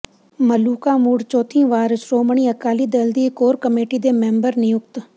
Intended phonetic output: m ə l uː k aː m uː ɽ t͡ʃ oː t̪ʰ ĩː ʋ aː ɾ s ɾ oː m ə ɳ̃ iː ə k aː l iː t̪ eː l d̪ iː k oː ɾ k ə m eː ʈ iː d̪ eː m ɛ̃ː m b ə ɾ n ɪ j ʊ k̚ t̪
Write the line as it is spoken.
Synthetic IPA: m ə l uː k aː m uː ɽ t͡ʃ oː t̪ʰ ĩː ʋ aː ɾ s ɾ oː m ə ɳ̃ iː ə k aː l iː d̪ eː l d̪ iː k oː ɾ k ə m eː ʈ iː d̪ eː m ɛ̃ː m b ə ɾ n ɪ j ʊ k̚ t̪